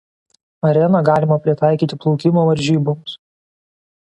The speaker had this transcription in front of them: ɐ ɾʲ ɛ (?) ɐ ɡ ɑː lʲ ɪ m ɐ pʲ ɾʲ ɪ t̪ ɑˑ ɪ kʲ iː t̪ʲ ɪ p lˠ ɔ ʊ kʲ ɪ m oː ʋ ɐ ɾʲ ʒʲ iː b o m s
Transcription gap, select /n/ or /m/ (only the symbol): n